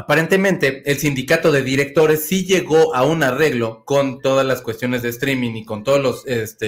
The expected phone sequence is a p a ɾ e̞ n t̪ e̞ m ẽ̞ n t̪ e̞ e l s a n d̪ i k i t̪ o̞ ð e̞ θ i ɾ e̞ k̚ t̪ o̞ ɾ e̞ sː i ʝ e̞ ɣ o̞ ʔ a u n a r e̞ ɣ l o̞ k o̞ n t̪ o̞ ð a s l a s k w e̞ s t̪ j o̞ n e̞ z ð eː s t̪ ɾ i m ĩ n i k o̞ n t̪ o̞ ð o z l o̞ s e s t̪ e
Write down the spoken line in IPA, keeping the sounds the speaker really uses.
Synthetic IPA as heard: a p a ɾ e̞ n t̪ e̞ m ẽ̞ n t̪ e̞ e l s i n d̪ i k a t̪ o̞ ð e̞ ð i ɾ e̞ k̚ t̪ o̞ ɾ e̞ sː i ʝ e̞ ɣ o̞ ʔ a u n a r e̞ ɣ l o̞ k o̞ n t̪ o̞ ð a z l a s k w e̞ s t̪ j o̞ n e̞ z ð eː s t̪ ɾ i m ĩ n i k o̞ n t̪ o̞ ð o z l o̞ s e s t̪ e